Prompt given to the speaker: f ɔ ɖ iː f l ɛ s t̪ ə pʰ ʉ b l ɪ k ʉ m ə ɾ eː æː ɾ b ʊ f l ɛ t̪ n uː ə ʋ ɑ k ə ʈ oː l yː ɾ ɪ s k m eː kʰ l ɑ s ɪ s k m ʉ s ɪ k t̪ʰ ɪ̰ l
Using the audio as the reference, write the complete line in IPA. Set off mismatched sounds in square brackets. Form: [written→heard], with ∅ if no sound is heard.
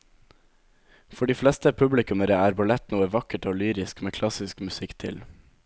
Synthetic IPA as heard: f ɔ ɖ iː f l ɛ s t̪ ə pʰ ʉ b l ɪ k ʉ m ə ɾ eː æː ɾ b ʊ [f→∅] l ɛ t̪ n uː ə ʋ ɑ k ə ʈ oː l yː ɾ ɪ s k m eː kʰ l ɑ s ɪ s k m ʉ s ɪ k t̪ʰ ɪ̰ l